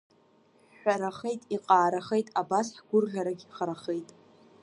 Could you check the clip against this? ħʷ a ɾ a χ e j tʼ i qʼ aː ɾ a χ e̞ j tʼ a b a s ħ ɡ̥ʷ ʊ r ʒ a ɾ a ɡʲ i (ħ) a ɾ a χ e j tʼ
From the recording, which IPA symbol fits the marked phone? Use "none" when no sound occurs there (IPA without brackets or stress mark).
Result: χ